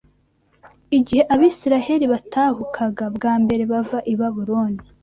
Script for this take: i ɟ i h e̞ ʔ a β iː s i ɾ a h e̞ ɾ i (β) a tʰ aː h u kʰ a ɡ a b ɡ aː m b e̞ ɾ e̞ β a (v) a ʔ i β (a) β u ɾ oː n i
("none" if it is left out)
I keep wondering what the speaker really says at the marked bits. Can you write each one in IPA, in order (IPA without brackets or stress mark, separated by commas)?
β, v, a